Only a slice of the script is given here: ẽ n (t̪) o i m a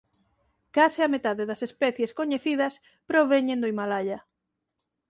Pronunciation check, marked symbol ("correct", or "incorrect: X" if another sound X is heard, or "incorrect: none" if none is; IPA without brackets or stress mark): incorrect: d̪